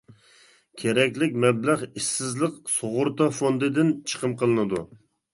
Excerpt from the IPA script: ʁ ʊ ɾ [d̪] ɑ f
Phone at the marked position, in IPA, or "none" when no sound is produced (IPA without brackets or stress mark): t̪